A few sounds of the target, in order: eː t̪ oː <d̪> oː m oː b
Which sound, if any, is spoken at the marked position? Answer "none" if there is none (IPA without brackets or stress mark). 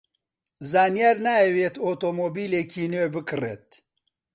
t̪